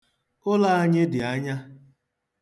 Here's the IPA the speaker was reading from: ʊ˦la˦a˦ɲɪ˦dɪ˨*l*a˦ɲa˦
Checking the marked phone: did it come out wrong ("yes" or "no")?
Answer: yes